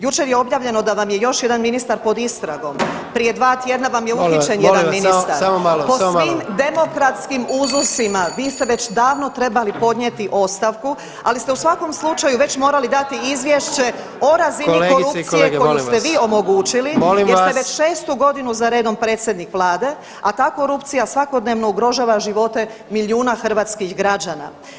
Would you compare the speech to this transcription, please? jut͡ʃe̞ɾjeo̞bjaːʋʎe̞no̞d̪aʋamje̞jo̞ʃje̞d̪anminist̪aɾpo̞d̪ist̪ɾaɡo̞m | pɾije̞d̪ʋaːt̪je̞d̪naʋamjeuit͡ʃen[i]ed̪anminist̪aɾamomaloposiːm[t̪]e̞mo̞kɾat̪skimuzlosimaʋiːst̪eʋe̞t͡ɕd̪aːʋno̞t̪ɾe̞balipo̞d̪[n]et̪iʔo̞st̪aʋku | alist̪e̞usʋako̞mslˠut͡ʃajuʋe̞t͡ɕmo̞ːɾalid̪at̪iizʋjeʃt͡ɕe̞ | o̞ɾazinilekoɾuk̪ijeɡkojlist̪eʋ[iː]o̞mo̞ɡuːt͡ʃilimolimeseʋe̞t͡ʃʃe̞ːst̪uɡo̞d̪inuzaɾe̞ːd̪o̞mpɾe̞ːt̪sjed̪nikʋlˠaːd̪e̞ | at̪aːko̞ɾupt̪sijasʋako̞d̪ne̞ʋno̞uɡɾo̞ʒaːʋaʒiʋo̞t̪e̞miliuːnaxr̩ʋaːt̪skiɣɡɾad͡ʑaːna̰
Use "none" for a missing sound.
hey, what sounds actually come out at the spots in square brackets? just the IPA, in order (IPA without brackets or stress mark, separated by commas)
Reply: j, d̪, ɲ, iː